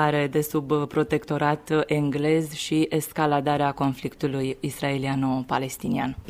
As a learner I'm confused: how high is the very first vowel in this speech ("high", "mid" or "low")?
low